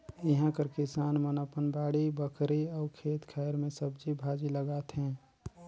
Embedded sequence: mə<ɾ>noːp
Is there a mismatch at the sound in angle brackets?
yes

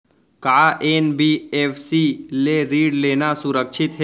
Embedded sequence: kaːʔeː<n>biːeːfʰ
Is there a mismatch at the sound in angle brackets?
no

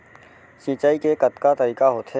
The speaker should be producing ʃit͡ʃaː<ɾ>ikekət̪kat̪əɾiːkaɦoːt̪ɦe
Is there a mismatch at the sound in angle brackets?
yes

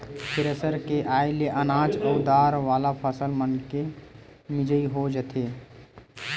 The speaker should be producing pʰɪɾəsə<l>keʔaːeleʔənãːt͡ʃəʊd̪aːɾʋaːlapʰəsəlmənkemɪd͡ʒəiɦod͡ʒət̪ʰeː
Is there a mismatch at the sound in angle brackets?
yes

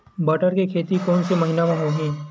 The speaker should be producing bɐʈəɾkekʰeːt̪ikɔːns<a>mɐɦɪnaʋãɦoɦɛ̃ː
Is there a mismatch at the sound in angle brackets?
yes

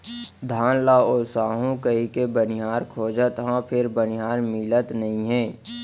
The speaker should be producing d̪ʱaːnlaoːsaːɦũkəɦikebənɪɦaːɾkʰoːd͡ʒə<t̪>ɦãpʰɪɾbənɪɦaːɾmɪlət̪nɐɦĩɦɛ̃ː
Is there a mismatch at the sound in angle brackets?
no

